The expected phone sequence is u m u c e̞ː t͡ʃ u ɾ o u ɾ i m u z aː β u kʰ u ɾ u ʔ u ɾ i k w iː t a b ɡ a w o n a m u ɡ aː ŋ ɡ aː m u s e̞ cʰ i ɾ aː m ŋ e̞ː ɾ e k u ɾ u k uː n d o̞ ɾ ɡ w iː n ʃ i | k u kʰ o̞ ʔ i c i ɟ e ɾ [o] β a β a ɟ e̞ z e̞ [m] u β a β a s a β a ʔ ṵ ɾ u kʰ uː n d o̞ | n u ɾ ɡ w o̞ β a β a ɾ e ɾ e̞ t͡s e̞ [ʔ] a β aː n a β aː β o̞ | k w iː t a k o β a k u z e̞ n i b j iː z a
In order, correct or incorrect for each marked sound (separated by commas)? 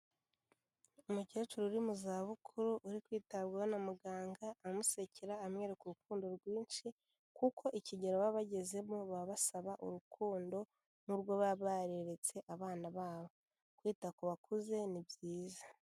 correct, correct, correct